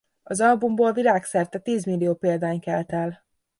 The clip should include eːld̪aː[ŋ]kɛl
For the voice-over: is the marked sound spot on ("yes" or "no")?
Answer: no